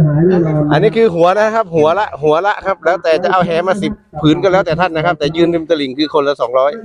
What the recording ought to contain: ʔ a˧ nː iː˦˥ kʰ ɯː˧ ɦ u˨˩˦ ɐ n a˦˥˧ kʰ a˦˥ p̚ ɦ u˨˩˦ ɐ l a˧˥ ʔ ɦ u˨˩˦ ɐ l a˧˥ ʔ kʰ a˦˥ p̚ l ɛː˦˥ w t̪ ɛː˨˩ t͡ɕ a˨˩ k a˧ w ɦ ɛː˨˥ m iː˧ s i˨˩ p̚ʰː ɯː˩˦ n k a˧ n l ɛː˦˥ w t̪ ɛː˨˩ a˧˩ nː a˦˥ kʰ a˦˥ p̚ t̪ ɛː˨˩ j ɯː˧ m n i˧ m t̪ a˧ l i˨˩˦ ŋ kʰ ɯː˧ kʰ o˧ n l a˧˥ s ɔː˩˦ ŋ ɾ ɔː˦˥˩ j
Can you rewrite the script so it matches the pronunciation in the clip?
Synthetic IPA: ʔ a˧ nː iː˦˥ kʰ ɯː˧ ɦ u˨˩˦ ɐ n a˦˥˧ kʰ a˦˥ p̚ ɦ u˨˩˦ ɐ l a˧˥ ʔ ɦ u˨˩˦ ɐ l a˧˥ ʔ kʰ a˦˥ p̚ l ɛː˦˥ w t̪ ɛː˨˩ t͡ɕ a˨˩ ʔ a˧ w ɦ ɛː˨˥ m aː˧ s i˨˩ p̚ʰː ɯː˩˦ n k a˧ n l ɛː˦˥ w t̪ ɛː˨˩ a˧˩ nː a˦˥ kʰ a˦˥ p̚ t̪ ɛː˨˩ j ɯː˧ n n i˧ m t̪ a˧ l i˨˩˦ ŋ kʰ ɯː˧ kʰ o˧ n l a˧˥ s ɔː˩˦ ŋ ɾ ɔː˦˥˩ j